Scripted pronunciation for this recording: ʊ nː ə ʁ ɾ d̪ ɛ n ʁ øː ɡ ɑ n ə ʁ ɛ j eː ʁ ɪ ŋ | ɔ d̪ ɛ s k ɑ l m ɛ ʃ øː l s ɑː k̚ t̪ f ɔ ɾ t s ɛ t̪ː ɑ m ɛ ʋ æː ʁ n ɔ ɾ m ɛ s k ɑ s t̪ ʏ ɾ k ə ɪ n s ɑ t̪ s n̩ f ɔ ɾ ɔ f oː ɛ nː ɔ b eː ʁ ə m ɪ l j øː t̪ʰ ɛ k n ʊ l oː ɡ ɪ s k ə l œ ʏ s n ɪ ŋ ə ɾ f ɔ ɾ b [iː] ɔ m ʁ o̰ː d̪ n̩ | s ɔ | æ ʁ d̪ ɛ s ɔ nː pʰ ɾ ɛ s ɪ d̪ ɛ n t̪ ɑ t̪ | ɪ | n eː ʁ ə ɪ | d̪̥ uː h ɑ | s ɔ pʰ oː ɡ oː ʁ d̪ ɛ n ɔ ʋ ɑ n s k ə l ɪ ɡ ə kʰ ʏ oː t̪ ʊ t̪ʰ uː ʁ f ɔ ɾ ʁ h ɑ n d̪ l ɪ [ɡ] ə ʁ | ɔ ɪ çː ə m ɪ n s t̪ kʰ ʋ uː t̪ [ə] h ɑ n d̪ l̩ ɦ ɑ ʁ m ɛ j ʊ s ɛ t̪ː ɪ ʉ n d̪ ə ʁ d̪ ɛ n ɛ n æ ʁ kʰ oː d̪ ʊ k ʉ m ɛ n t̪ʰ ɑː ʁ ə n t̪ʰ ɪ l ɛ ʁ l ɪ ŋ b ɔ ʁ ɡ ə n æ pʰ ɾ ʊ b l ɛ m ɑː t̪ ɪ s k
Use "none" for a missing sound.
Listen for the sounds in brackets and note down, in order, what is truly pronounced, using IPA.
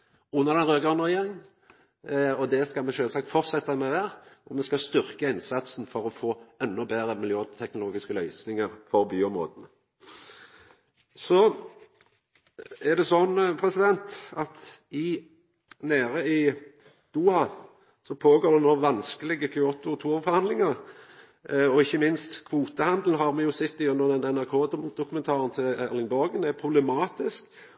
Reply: yː, ŋ, ə

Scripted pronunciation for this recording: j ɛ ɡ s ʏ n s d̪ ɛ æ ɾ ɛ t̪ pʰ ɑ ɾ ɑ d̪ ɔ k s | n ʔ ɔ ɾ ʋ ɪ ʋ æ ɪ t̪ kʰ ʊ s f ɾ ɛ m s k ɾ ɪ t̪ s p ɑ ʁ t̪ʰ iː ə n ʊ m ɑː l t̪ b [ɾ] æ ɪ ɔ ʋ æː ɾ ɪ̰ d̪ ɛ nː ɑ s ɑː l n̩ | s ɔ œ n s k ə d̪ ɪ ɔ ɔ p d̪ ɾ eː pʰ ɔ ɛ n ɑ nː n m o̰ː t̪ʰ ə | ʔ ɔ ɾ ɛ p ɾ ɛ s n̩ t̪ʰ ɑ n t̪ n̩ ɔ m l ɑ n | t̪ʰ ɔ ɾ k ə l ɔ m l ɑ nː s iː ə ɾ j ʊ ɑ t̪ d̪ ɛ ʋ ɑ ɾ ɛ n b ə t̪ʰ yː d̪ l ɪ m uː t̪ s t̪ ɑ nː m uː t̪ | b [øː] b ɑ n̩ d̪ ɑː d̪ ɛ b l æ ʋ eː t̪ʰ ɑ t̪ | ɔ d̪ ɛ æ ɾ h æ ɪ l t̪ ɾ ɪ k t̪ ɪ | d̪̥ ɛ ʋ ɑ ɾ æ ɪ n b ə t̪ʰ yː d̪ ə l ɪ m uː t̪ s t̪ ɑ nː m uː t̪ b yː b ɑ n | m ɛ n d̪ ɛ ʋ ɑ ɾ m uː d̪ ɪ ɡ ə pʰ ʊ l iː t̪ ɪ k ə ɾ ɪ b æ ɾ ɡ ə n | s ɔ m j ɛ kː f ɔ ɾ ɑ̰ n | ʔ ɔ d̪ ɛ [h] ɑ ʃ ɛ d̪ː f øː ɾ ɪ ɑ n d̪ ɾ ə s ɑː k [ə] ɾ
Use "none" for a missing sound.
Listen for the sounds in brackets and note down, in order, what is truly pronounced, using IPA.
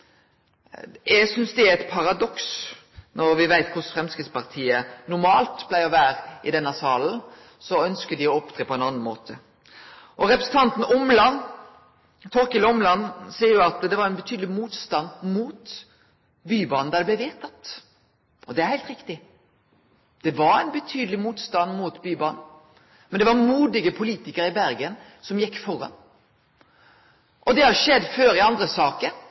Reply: l, yː, h, ə

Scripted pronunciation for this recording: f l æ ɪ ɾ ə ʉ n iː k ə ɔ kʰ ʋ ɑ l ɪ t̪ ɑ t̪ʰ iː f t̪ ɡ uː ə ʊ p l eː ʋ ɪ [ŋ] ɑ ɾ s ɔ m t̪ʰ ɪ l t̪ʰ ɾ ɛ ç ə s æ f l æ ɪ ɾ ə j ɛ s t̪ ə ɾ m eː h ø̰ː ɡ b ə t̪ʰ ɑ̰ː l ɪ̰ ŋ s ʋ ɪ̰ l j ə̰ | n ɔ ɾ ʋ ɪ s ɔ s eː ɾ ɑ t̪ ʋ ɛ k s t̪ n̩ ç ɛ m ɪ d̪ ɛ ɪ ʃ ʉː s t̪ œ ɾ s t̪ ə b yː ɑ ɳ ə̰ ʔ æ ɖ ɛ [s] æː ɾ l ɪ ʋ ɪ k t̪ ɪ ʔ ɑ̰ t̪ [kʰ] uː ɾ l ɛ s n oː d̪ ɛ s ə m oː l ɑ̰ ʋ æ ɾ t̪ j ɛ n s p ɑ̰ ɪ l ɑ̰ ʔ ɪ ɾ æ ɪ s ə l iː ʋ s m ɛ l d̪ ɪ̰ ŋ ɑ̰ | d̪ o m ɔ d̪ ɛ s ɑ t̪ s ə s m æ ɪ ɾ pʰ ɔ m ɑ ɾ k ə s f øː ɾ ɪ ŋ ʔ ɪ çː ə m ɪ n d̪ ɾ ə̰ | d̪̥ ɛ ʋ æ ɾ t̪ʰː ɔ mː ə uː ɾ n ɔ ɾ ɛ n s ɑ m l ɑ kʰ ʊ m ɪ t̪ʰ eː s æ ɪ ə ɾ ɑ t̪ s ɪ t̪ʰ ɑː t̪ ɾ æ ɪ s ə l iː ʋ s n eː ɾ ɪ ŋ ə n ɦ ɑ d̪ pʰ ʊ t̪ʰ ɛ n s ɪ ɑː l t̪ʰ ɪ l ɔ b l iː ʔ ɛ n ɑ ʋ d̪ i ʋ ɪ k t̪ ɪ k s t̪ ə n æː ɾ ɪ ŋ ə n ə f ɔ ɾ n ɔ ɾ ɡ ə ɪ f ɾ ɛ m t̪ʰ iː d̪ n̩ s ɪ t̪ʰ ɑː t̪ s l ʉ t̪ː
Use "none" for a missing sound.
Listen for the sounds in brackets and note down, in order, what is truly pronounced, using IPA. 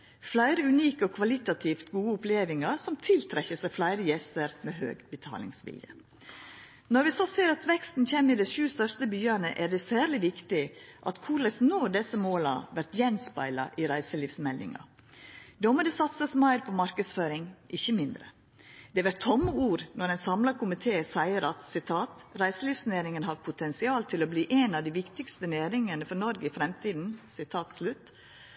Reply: ŋ, s, kʰ

